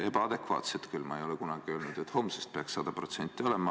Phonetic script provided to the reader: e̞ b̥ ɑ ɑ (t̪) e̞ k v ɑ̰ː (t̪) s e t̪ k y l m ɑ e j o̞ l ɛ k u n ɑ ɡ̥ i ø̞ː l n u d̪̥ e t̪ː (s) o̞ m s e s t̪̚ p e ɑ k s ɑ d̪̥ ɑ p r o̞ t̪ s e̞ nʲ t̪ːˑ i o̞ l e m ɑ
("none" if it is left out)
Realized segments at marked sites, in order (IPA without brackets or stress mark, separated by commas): d̪, t̪, h